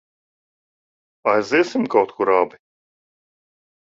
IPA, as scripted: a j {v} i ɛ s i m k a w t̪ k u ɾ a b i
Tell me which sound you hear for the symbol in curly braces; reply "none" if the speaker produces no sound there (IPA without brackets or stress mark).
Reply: z